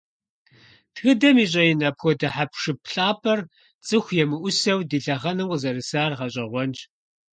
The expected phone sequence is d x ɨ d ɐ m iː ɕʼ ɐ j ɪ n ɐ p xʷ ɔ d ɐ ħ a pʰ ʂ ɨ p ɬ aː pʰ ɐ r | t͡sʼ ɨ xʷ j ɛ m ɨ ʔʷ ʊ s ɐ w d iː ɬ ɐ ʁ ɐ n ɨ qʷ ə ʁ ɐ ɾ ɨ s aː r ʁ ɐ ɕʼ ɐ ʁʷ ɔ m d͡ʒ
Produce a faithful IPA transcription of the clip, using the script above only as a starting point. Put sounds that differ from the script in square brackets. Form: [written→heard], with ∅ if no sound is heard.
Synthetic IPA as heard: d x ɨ d ɐ m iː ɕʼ ɐ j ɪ n ɐ p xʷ ɔ d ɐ ħ a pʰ ʂ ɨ p ɬ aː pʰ ɐ r | t͡sʼ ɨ xʷ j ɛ m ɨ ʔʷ ʊ s ɐ w d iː ɬ ɐ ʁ ɐ n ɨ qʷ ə [ʁ→z] ɐ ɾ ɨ s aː r ʁ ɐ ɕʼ ɐ ʁʷ ɔ [m→n] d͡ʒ